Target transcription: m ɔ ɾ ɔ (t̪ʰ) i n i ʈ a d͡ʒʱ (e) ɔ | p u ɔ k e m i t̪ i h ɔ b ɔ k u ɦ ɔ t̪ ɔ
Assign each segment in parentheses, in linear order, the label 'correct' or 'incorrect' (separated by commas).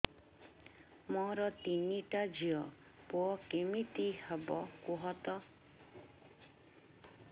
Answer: incorrect, incorrect